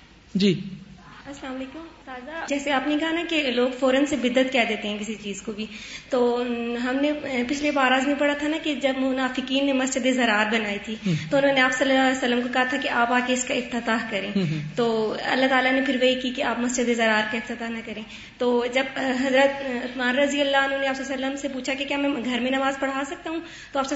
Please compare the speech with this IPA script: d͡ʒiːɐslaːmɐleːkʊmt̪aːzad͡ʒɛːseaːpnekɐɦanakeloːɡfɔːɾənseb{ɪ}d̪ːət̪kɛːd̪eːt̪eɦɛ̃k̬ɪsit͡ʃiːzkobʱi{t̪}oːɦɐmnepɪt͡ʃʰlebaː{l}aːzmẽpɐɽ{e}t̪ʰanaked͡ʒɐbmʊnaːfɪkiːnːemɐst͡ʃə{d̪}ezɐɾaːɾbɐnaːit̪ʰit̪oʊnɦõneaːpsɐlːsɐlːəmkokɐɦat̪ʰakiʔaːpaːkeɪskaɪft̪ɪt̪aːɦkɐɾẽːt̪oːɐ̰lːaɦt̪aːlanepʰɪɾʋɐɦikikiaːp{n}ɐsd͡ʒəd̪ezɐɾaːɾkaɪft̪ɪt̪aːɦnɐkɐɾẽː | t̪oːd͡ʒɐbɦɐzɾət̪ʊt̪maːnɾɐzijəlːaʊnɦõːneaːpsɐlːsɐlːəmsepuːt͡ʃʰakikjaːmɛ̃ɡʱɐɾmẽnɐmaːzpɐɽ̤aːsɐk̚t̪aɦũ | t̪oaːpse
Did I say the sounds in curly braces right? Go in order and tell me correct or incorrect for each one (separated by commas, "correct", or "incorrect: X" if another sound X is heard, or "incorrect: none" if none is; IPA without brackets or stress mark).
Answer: correct, correct, incorrect: ɾ, incorrect: a, correct, incorrect: m